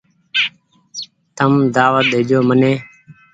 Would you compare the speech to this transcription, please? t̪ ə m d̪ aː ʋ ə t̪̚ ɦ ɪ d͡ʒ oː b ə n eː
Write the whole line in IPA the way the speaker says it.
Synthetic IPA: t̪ ə m d̪ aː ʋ ə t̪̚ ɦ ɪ d͡ʒ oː m ə n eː